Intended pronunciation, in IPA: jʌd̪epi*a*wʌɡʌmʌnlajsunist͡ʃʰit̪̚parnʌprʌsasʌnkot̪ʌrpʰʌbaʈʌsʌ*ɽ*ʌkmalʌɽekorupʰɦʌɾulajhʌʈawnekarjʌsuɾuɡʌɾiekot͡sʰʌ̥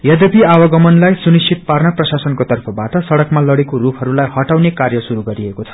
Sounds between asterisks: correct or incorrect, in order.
correct, correct

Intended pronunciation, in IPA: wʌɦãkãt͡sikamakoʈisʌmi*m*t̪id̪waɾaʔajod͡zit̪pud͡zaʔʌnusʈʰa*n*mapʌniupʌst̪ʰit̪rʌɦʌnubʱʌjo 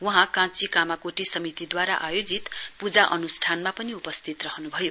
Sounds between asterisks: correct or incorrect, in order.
incorrect: none, correct

